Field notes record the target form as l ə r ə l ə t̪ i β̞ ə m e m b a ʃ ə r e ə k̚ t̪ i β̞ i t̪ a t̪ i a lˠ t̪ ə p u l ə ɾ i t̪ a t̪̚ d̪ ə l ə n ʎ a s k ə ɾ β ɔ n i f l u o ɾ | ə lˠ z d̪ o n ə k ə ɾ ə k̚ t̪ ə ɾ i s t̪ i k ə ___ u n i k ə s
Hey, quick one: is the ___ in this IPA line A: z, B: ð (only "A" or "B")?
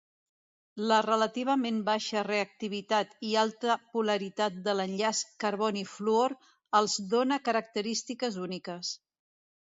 A